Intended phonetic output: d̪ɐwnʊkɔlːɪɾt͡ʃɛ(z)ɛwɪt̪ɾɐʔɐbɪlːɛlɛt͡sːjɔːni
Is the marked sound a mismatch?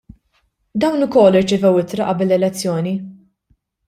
yes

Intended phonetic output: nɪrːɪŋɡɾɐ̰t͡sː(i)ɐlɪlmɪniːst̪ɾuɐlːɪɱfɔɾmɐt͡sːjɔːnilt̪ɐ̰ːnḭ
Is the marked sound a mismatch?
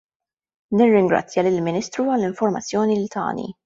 yes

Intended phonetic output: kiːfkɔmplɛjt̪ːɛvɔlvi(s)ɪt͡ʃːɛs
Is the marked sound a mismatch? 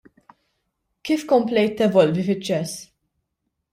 yes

